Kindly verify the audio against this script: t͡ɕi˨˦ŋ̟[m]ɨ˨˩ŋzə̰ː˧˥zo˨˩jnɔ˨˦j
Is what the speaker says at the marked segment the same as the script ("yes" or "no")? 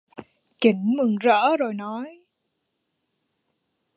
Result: yes